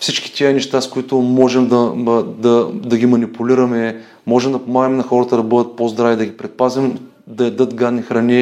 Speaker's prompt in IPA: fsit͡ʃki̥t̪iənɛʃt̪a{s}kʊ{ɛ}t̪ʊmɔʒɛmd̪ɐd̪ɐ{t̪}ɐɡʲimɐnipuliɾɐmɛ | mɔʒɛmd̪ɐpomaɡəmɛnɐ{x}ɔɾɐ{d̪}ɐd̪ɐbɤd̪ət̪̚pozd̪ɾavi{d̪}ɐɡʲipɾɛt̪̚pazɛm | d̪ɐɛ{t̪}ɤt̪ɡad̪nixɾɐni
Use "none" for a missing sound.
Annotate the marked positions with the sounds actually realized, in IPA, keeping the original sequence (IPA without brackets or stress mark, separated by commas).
s, i, d̪, x, t̪, d̪, d̪